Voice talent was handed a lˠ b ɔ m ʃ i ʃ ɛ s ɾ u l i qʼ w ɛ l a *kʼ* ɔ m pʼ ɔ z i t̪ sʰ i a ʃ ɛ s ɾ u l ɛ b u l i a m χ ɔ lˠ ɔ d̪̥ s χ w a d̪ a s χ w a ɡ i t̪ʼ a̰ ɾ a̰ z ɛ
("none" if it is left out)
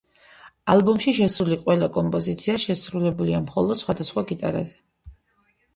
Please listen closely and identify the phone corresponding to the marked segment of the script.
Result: kʼ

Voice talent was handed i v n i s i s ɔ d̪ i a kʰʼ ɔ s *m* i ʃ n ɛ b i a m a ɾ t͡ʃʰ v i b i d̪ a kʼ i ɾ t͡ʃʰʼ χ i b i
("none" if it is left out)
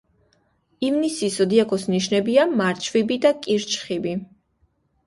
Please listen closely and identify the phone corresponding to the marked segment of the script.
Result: n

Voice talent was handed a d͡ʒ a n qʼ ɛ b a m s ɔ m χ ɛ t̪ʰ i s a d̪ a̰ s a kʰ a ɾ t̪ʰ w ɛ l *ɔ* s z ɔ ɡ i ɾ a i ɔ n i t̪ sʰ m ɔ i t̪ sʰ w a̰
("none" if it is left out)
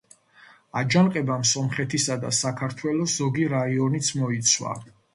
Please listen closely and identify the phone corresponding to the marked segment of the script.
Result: ɔ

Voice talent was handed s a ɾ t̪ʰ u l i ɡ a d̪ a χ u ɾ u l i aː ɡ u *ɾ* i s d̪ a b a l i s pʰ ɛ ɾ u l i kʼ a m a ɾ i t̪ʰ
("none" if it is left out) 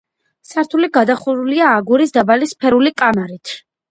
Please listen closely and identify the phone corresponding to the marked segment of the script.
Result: ɾ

